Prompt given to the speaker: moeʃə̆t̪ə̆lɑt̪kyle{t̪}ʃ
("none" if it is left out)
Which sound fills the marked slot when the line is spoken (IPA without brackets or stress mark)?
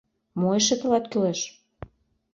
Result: none